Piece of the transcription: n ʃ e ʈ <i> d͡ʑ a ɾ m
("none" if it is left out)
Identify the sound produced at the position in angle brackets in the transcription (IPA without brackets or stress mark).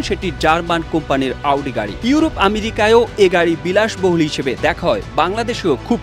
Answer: i